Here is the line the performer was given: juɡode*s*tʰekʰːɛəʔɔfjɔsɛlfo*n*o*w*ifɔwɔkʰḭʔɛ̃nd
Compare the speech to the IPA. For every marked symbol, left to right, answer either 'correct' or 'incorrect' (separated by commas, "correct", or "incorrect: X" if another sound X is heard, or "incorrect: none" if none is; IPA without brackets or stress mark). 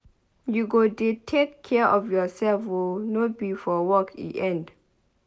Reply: incorrect: none, correct, incorrect: b